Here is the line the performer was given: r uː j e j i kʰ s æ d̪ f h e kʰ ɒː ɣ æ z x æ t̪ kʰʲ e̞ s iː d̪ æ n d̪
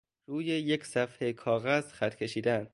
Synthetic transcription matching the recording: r uː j e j e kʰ s æ f h e kʰ ɒː ɣ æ z x æ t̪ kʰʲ e̞ ʃ iː d̪ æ n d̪